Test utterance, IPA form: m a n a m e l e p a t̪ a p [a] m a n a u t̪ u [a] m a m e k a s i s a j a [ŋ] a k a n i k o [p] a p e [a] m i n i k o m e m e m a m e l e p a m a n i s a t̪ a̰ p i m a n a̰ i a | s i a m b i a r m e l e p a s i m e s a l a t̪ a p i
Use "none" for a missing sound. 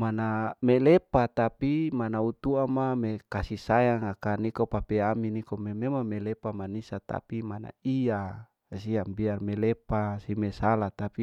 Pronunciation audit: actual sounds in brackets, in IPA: i, a, ŋ, p, a

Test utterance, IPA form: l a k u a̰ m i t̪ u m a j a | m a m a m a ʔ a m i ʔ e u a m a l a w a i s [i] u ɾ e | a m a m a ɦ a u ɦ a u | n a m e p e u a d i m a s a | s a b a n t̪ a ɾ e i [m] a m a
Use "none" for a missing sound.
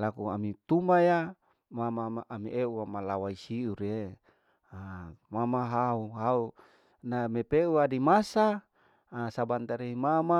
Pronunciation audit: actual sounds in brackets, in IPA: i, m

